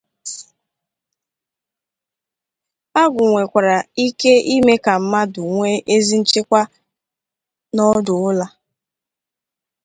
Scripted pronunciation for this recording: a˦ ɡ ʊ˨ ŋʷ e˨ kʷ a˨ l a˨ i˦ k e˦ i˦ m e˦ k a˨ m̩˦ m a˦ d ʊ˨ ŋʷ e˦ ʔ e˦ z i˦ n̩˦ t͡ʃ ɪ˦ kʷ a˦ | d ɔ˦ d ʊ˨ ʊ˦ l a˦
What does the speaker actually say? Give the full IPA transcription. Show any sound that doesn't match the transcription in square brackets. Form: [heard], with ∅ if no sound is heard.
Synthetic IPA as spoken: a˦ ɡ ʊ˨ ŋʷ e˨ kʷ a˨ [ɾ] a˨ i˦ k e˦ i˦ m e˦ k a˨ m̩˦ m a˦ d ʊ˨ ŋʷ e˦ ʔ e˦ z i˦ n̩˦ t͡ʃ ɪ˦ kʷ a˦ | [n] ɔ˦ d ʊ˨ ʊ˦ l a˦